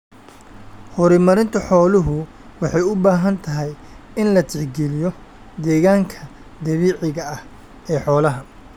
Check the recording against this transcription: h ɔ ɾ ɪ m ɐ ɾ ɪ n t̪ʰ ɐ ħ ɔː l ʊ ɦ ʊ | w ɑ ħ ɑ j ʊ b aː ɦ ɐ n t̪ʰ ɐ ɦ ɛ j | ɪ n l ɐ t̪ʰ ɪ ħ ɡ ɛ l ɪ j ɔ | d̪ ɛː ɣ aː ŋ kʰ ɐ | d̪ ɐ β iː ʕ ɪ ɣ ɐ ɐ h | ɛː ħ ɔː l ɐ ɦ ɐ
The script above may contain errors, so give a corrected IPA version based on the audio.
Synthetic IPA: h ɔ ɾ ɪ m ɐ ɾ ɪ n t̪ʰ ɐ ħ ɔː l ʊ ɦ ʊ | w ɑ ħ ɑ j ʊ b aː ɦ ɐ n t̪ʰ ɐ ɦ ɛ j | ɪ n l ɐ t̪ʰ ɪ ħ ɡ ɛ l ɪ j ɔ | d̪ ɛː ɣ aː ŋ kʰ ɐ | d̪ ɐ β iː ʕ ɪ ɣ ɐ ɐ h | ɛː ħ ɔː l ɐ ɦ ɐ